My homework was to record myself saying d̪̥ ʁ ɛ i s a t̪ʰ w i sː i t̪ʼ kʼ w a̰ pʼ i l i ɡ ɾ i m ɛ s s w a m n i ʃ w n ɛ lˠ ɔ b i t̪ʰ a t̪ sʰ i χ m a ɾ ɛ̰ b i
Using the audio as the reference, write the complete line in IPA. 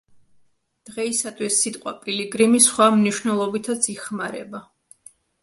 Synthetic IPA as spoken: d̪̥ ʁ ɛ i s a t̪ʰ w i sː i t̪ʼ qʼ w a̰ pʼ i l i ɡ ɾ i m i s χ w a m n i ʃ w n ɛ lˠ ɔ b i t̪ʰ a t̪ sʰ i χ m a ɾ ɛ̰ b a